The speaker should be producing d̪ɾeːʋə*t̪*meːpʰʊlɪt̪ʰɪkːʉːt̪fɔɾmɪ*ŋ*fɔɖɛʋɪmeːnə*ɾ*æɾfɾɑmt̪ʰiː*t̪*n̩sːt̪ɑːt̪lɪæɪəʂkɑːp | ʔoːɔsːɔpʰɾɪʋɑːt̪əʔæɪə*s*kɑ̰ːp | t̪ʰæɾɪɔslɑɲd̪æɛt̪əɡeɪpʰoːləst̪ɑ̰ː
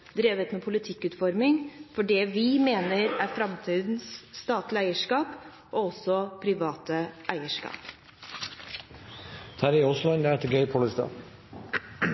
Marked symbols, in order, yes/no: yes, yes, yes, no, no

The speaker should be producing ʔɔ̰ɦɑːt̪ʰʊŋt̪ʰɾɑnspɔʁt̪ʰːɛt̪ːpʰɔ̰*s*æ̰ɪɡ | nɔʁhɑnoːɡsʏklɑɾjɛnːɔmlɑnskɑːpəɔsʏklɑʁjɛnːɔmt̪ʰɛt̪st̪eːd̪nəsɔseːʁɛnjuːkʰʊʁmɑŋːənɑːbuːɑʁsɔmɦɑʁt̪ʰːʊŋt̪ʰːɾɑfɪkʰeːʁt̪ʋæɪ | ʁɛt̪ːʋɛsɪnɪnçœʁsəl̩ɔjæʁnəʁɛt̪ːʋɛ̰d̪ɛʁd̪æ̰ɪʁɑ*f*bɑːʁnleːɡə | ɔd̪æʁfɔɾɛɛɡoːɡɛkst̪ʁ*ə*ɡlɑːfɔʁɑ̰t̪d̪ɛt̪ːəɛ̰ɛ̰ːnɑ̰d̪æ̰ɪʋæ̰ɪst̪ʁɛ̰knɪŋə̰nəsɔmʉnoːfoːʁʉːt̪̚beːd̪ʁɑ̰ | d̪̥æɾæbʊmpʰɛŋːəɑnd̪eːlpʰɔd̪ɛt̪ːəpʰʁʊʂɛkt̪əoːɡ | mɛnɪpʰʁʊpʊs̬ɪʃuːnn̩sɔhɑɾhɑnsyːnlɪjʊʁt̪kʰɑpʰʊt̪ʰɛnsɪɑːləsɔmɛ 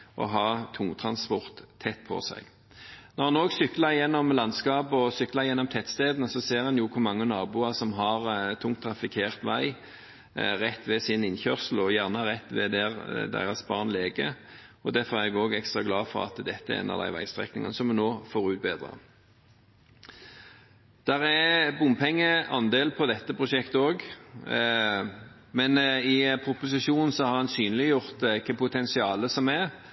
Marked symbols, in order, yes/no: yes, no, no

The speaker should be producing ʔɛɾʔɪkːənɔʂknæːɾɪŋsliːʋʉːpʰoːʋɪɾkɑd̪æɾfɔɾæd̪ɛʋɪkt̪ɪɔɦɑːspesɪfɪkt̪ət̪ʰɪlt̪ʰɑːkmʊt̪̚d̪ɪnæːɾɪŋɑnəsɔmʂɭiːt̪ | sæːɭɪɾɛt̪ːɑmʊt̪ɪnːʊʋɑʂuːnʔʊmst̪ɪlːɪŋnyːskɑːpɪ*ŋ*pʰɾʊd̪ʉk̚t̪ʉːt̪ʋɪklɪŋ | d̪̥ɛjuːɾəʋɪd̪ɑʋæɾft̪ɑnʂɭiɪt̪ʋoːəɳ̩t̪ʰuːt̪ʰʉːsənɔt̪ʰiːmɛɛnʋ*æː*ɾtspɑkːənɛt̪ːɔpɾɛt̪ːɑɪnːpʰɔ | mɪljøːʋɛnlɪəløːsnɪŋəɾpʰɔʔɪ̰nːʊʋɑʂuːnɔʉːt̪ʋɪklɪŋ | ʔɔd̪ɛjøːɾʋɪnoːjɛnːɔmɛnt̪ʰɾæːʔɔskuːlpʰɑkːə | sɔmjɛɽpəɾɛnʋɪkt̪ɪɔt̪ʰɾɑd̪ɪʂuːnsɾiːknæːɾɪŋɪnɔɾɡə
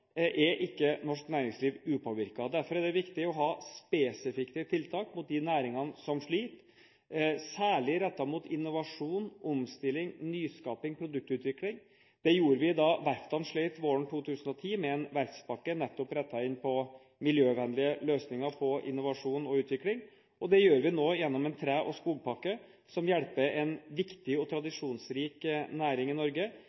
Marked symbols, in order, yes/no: yes, no

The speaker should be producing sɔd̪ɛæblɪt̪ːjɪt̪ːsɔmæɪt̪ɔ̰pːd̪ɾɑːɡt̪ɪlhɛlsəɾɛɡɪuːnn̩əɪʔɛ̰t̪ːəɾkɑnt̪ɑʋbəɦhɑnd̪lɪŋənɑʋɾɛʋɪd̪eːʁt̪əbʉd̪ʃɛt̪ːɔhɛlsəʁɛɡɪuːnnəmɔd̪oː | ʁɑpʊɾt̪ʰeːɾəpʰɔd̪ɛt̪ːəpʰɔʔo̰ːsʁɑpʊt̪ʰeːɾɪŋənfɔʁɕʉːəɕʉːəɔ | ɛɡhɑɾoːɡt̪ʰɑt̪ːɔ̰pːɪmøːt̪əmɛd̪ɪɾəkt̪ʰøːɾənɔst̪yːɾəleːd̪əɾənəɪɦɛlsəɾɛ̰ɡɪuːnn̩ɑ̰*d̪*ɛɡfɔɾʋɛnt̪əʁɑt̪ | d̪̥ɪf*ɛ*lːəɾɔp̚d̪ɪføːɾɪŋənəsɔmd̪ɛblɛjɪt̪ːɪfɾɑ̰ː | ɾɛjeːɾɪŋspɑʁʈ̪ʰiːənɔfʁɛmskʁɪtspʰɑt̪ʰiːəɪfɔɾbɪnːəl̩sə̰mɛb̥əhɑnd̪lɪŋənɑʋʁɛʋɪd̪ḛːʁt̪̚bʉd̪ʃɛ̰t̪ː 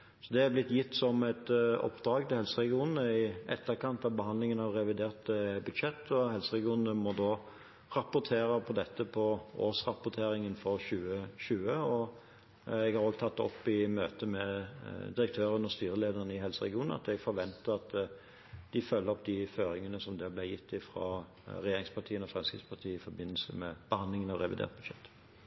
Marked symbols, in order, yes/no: no, no

